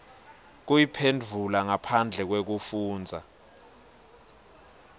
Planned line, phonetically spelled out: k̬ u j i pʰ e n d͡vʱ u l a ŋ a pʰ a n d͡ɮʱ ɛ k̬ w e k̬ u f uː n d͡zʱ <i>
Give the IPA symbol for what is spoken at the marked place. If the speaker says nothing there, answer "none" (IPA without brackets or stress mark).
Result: a